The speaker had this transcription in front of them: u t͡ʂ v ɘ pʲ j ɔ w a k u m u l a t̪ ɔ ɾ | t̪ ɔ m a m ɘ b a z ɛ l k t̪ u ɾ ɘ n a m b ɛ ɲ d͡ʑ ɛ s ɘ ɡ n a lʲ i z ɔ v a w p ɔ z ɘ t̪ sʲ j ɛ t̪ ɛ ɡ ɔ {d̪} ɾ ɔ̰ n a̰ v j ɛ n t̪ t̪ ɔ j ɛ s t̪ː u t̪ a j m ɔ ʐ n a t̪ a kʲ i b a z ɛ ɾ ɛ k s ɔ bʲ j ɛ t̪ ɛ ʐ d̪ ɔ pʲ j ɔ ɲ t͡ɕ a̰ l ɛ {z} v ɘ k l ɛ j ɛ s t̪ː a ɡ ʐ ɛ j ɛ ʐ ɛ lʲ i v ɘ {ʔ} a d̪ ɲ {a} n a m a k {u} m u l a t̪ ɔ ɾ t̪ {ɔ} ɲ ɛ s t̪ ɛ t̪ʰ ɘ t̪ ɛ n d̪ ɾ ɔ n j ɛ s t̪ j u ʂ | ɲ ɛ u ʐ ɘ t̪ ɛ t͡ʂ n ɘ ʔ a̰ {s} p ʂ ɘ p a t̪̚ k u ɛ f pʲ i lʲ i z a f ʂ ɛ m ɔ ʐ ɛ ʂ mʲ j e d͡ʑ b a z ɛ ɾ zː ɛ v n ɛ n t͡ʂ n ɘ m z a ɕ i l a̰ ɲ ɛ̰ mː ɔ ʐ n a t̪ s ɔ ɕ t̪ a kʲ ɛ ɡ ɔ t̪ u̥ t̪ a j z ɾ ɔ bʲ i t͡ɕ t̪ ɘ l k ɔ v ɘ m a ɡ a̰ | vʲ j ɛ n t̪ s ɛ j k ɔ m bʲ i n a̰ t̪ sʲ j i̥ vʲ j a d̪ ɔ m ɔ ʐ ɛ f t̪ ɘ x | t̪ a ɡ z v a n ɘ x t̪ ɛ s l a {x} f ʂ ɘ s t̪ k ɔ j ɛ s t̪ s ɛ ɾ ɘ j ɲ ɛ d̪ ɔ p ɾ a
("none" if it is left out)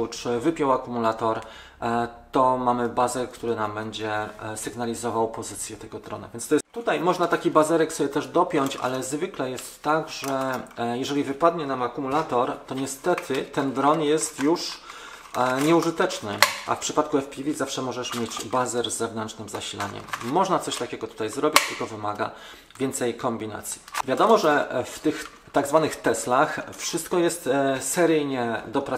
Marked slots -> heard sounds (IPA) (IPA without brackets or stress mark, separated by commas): d̪, z, p, ɛ, u, ɔ, f, x